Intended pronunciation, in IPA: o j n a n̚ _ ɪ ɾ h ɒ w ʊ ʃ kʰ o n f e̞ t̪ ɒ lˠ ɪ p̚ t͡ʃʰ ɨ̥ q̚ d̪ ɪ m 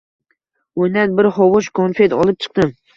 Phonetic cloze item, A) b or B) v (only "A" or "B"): A